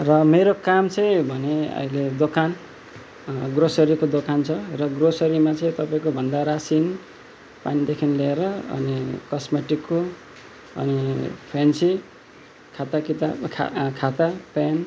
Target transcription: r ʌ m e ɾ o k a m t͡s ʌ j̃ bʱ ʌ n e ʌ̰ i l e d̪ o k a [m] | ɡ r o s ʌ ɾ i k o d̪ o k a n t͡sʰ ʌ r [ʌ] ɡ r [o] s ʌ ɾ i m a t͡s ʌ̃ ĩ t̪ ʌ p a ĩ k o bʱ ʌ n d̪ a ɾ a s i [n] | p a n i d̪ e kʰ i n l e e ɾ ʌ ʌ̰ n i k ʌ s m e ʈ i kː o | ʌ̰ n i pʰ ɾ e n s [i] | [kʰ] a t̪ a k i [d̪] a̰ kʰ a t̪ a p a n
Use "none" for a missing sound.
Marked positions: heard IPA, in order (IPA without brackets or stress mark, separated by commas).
n, ʌ, o, n, i, kʰ, t̪